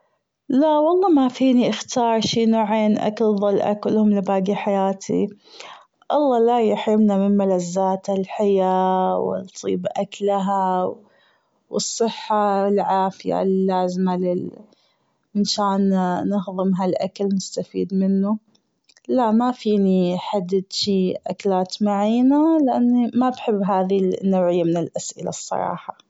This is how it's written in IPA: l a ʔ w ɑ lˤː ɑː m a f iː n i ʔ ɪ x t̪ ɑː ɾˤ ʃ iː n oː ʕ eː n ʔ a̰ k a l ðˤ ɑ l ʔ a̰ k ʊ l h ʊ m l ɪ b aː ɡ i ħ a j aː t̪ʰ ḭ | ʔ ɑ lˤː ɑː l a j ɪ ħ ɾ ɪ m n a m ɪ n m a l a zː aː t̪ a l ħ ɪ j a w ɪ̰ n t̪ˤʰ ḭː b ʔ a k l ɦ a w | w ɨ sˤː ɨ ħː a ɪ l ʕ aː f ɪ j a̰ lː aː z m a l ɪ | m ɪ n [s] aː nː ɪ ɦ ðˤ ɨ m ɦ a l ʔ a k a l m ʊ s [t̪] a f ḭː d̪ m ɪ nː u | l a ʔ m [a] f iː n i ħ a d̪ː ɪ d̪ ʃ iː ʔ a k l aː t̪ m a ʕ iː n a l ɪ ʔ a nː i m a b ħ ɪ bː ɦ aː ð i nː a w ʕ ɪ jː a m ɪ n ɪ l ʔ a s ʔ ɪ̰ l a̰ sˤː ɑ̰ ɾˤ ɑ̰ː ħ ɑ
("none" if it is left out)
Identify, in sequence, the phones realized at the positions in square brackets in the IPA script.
ʃ, t̪, a

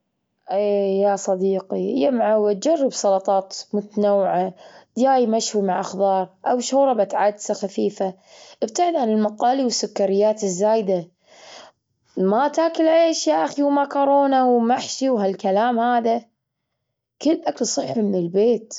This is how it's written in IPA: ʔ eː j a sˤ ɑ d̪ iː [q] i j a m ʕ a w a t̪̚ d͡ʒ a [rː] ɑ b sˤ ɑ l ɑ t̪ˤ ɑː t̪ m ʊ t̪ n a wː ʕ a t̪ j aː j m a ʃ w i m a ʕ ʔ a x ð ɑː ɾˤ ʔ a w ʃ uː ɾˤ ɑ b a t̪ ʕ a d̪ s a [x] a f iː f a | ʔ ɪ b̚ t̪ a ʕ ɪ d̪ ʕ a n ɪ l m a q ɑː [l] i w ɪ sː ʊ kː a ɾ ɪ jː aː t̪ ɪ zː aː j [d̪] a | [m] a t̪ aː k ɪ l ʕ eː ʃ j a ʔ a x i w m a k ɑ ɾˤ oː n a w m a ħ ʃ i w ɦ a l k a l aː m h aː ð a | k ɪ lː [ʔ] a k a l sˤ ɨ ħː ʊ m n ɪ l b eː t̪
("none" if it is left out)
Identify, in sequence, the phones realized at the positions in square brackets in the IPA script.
q, rː, x, l, d̪, m, ʔ

